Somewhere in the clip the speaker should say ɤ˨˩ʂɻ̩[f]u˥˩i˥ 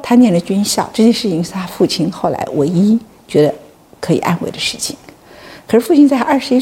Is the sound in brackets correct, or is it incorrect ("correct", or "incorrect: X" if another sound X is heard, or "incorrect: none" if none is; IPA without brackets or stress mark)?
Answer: correct